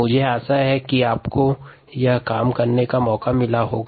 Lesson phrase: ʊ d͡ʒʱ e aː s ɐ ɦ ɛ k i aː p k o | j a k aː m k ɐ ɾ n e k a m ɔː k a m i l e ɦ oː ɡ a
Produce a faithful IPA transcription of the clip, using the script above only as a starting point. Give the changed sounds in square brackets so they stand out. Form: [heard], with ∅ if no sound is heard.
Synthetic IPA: ʊ d͡ʒʱ e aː s [a] ɦ ɛ k i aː p k o | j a k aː m k ɐ ɾ n e k a m ɔː k a m [ɪ] l [a] ɦ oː ɡ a